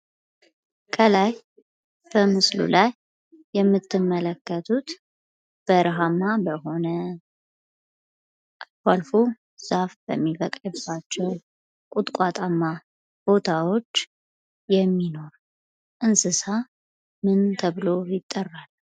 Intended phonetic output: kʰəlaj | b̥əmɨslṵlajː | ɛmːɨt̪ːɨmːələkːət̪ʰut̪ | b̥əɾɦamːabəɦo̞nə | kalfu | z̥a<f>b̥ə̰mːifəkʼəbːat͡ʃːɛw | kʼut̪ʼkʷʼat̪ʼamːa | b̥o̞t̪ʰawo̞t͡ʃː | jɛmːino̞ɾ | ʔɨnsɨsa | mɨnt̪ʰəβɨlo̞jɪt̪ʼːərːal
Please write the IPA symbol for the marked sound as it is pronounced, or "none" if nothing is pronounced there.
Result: f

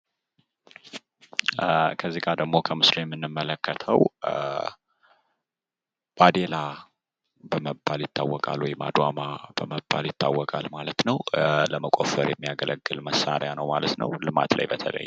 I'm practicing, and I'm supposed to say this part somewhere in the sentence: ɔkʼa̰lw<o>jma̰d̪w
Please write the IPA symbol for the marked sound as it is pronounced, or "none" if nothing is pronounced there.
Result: ɔ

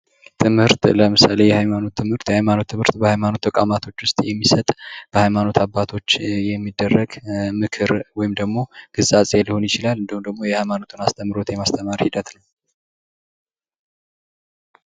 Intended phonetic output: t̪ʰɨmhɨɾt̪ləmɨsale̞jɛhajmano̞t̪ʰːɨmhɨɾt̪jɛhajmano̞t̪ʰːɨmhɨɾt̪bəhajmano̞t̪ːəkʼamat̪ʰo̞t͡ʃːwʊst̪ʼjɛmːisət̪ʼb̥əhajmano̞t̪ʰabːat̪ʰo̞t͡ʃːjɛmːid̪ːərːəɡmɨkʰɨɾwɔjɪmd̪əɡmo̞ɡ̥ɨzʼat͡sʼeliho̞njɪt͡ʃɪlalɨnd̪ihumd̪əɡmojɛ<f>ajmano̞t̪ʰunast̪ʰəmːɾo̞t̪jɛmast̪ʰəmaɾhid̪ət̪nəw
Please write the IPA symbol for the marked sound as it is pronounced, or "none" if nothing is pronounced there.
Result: h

